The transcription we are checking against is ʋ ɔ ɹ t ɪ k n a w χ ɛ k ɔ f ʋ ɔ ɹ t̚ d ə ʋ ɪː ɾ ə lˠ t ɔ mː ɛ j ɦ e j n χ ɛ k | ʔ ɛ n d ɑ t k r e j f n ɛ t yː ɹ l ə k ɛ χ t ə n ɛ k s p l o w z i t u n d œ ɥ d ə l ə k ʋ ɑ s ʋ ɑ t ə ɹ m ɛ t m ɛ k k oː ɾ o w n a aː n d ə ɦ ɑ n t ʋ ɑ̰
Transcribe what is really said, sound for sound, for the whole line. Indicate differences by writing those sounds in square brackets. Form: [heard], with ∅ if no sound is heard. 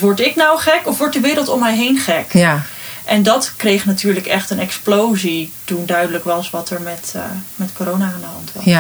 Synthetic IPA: ʋ ɔ ɹ t ɪ k n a w χ ɛ k ɔ f ʋ ɔ ɹ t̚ d ə ʋ ɪː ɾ ə lˠ t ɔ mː ɛ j ɦ e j n χ ɛ k | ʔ ɛ n d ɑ t k r e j [χ] n [a] t yː ɹ l ə k ɛ χ t ə n ɛ k s p l o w z i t u n d œ ɥ d ə l ə k ʋ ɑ s ʋ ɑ t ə ɹ m ɛ t m ɛ [t] k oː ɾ o w n a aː n d ə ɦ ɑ n t ʋ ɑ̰